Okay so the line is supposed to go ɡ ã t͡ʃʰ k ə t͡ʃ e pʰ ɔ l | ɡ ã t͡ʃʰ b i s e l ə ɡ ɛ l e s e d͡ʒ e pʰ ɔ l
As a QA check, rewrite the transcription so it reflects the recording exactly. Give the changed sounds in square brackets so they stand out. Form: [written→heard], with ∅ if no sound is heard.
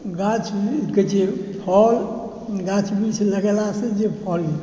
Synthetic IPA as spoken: ɡ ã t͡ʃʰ k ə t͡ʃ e pʰ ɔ l | ɡ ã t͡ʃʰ b i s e l ə ɡ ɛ l [e→a] s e d͡ʒ e pʰ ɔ l